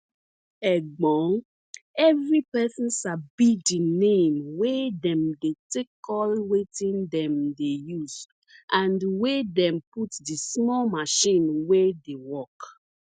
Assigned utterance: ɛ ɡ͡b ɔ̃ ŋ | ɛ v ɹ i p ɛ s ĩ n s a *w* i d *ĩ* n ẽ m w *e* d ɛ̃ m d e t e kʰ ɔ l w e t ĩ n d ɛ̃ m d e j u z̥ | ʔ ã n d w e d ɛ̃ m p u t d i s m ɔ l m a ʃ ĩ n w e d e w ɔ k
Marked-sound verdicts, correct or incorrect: incorrect, incorrect, correct

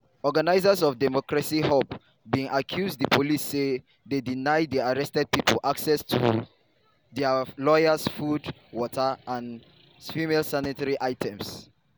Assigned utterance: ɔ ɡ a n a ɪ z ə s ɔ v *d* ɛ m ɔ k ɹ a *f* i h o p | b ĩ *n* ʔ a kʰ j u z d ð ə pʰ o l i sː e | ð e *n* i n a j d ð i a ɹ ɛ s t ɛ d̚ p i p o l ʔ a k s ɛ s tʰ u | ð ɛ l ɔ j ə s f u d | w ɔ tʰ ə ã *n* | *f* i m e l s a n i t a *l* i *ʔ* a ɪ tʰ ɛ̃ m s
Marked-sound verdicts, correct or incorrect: correct, incorrect, incorrect, incorrect, correct, correct, incorrect, correct

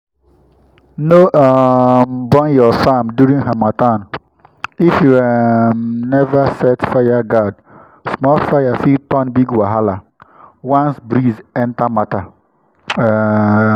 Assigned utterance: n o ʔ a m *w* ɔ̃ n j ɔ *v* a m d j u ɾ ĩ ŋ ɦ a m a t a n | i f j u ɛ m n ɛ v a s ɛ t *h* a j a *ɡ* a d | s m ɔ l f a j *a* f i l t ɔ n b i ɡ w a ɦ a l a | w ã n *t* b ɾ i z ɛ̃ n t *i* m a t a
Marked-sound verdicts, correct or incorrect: incorrect, incorrect, incorrect, correct, correct, incorrect, incorrect

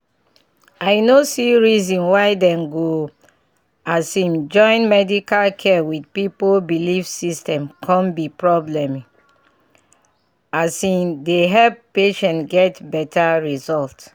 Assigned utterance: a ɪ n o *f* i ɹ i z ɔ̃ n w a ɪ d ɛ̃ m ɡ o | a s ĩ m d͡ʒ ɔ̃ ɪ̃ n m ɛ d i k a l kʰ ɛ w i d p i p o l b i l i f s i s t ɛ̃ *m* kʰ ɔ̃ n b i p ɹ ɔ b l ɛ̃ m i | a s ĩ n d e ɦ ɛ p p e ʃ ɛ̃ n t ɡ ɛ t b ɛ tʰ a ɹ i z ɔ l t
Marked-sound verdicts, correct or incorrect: incorrect, correct

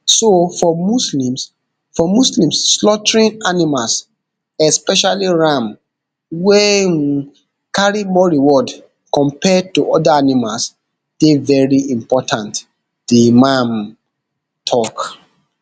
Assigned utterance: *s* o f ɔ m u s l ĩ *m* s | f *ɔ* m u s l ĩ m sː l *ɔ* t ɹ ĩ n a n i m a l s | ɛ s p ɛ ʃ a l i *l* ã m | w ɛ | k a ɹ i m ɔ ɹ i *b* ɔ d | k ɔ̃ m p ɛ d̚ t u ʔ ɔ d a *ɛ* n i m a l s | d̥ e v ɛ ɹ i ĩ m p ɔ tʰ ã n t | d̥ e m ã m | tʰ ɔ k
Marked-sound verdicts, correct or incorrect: correct, correct, correct, correct, incorrect, incorrect, incorrect

